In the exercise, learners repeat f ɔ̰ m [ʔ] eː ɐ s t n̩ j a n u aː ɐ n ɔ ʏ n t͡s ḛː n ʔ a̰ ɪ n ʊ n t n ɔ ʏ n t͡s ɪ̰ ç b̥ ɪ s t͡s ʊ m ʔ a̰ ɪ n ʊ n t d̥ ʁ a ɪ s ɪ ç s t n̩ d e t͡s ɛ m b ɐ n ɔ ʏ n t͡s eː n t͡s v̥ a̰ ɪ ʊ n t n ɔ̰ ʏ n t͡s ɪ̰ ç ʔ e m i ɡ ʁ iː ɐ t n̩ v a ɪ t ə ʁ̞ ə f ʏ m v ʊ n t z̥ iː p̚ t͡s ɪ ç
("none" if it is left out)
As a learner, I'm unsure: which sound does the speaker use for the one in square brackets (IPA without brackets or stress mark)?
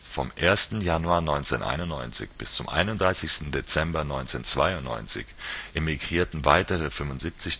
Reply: ʔ